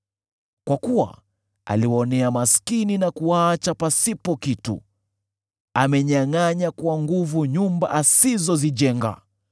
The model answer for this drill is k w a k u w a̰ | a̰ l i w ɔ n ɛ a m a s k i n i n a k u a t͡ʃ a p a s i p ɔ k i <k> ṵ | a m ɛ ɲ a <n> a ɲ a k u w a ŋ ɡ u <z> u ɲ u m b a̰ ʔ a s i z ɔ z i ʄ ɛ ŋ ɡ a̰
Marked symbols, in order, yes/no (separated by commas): no, no, no